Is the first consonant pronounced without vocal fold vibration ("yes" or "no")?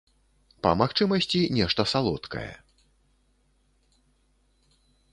yes